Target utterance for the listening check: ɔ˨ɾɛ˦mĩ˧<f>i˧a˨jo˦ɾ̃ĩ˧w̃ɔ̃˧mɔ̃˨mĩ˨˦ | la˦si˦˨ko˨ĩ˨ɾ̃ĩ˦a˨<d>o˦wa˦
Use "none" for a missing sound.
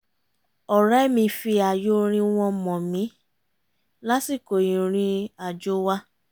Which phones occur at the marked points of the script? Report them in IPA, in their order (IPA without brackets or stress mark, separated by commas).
f, d͡ʒ